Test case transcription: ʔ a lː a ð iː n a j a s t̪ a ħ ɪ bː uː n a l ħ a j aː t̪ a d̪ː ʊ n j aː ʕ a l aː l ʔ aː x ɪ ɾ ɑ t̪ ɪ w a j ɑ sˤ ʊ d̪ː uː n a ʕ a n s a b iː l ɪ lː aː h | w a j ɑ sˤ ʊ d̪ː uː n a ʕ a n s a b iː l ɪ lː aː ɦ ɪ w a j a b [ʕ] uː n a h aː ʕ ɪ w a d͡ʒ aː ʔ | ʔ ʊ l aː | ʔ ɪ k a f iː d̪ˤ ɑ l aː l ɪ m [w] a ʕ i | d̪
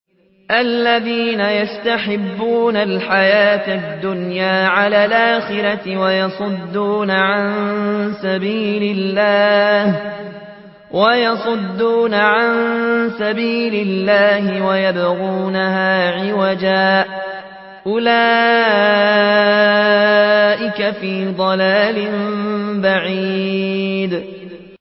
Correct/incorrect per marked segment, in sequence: incorrect, incorrect

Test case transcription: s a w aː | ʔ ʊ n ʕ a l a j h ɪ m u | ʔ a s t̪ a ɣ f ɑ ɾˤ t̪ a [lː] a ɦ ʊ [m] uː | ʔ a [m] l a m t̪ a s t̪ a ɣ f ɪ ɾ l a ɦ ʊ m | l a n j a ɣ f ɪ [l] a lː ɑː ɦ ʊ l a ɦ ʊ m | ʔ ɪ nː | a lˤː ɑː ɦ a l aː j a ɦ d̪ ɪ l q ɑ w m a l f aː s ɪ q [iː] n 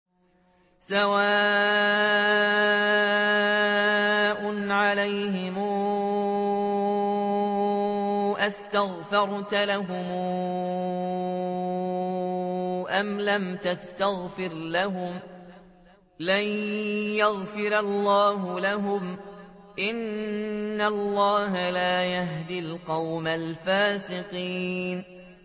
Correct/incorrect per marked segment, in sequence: incorrect, correct, correct, incorrect, correct

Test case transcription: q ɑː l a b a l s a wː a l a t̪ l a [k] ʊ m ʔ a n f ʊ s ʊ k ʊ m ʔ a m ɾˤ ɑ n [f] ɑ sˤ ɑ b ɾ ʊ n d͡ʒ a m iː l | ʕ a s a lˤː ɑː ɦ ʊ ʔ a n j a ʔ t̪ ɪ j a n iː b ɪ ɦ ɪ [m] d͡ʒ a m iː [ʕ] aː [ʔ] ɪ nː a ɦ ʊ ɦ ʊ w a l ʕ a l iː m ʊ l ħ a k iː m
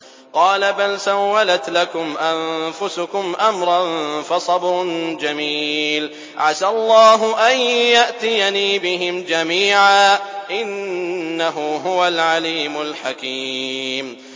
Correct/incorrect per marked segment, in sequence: correct, correct, correct, correct, correct

